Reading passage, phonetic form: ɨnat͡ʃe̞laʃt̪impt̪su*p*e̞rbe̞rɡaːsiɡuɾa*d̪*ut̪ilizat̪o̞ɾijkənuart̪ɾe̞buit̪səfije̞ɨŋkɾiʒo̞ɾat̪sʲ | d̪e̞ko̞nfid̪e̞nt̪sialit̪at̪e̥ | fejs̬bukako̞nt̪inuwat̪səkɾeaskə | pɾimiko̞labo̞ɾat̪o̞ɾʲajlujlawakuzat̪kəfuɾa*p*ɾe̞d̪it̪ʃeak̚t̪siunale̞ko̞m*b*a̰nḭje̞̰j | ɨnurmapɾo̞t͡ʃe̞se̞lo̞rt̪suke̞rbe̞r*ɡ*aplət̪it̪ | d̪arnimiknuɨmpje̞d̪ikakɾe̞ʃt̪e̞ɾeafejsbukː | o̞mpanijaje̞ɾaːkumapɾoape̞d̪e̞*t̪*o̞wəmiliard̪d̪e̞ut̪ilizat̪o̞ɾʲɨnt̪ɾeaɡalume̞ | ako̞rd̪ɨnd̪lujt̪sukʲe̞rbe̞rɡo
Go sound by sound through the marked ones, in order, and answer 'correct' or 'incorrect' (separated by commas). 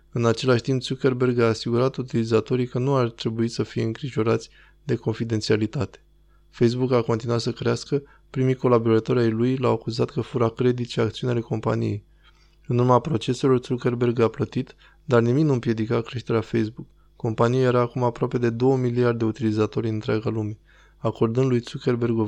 incorrect, incorrect, incorrect, incorrect, correct, incorrect